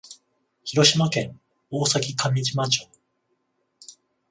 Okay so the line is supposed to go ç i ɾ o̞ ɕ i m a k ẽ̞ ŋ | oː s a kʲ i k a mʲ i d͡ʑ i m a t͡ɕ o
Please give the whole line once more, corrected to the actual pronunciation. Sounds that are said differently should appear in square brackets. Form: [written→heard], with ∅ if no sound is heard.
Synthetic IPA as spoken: ç i ɾ o̞ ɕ i m a k ẽ̞ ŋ | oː s a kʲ i k a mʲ i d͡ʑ i m a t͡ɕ o